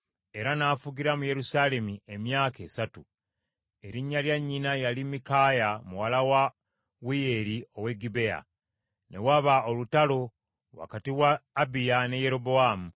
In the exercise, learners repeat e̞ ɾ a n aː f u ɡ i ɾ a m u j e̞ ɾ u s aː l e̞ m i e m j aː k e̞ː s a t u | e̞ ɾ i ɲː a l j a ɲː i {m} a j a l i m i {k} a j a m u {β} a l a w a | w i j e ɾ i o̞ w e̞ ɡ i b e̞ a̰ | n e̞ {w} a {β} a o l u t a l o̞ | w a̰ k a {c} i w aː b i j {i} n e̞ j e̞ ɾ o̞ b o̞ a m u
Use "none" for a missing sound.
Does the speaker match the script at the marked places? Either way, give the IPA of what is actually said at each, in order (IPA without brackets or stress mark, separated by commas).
n, k, w, w, β, t, a